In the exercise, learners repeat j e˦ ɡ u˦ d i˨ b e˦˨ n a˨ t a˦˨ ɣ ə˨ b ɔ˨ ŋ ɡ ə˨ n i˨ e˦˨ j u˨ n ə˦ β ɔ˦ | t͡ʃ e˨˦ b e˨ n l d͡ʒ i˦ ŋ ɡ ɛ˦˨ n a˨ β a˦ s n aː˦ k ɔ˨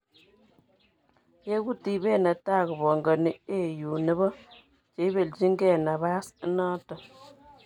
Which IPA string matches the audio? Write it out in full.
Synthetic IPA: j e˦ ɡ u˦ t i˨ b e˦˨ n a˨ t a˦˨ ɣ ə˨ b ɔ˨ ŋ ɡ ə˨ n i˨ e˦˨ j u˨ n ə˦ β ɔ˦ | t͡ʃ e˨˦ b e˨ l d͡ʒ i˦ ŋ ɡ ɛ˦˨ n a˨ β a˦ s n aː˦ t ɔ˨